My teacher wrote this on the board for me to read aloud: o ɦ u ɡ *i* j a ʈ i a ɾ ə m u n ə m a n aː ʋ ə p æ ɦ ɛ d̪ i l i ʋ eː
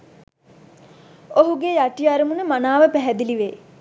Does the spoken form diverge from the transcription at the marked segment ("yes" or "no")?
yes